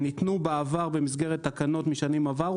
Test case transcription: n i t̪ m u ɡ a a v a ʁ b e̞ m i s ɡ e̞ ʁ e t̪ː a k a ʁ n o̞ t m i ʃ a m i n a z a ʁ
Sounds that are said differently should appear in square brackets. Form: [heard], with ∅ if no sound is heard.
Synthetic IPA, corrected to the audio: n i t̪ [n] u [b] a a v a ʁ b e̞ m i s ɡ e̞ ʁ e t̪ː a k a [∅] n o̞ t m i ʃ a [n] i [m] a [v] a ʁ